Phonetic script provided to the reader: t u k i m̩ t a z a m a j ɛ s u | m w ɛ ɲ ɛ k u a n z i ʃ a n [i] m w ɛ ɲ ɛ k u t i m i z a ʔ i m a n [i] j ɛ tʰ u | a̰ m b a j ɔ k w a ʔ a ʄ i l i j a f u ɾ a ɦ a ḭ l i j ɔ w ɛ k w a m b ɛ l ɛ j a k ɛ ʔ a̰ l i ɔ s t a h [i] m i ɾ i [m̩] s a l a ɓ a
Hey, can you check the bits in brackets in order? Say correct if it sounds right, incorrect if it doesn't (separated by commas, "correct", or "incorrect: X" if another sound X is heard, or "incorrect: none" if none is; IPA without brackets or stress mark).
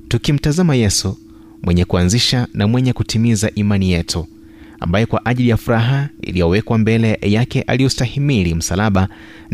incorrect: a, correct, correct, correct